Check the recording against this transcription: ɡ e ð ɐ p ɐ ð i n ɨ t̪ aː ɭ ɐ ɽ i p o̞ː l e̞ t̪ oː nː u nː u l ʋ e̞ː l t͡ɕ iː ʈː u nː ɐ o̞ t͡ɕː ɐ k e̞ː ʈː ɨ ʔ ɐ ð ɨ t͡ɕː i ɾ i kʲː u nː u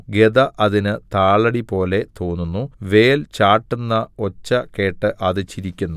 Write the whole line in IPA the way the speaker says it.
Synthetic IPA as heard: ɡ e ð ɐ ʔ ɐ ð i n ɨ t̪ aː ɭ ɐ ɽ i p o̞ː l e̞ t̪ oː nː u nː u ʋ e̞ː l t͡ɕ aː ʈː u nː ɐ o̞ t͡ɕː ɐ k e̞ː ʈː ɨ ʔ ɐ ð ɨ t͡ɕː i ɾ i kʲː u nː u